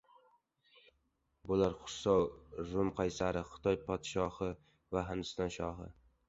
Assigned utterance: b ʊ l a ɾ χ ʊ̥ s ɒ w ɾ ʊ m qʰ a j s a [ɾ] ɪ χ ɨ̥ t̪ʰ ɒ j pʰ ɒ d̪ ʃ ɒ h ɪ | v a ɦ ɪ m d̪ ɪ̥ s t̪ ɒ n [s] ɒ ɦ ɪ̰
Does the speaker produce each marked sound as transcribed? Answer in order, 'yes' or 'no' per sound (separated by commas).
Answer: yes, no